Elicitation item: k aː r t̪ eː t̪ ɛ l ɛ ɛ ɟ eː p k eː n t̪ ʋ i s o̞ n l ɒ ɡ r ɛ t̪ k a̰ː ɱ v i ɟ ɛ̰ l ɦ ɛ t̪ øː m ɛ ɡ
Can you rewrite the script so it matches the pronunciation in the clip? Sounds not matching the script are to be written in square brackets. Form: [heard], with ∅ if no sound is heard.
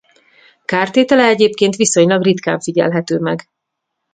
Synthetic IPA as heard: k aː r t̪ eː t̪ ɛ l ɛ ɛ ɟ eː p k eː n t̪ ʋ i s o̞ [ɲ] l ɒ ɡ r [i] t̪ k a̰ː ɱ [f] i ɟ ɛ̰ l ɦ ɛ t̪ øː m ɛ ɡ